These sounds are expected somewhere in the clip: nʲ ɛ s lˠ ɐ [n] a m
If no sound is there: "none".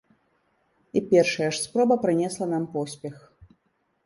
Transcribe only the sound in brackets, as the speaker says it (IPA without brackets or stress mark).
n